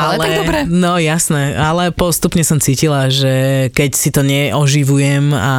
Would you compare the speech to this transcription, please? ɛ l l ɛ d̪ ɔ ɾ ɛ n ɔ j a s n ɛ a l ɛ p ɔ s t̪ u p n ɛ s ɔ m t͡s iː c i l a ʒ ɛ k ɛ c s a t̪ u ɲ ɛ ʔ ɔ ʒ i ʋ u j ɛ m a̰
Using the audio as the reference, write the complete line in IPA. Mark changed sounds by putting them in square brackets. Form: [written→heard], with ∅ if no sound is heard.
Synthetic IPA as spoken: [ɛ→a] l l ɛ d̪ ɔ ɾ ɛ n ɔ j a s n ɛ a l ɛ p ɔ s t̪ u p [n→ɲ] ɛ s ɔ m t͡s iː c i l a ʒ ɛ k ɛ c s [a→i] t̪ [u→ɔ] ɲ ɛ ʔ ɔ ʒ i ʋ u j ɛ m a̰